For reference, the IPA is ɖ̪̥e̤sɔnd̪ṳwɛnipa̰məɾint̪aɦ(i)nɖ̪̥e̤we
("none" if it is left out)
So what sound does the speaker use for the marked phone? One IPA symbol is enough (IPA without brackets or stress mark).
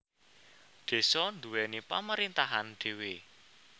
a